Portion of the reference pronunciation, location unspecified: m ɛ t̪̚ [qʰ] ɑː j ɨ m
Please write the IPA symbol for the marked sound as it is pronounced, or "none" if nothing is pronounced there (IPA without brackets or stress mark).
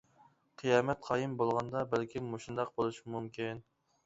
qʰ